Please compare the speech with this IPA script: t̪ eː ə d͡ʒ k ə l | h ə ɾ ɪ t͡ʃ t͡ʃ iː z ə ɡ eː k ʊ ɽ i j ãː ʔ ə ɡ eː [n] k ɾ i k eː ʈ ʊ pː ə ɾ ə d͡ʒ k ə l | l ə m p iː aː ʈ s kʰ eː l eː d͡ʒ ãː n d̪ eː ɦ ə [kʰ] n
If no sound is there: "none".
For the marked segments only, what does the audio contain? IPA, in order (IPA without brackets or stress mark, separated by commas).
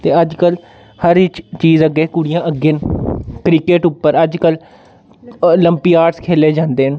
n, none